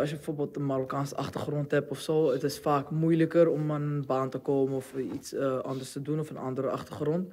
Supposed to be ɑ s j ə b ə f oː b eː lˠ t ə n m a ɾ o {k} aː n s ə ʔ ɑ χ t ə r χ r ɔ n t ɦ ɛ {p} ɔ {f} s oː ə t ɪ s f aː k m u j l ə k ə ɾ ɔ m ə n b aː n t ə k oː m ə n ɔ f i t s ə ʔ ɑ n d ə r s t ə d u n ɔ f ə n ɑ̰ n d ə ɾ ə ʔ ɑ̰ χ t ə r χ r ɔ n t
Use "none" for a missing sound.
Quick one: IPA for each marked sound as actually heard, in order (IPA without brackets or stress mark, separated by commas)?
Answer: k, p, f